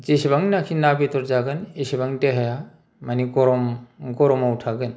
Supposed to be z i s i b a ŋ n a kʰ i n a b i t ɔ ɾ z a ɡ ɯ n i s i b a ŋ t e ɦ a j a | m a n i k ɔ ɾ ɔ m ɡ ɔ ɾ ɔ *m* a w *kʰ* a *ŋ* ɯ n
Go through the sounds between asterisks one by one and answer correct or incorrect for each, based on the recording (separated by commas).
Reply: correct, incorrect, incorrect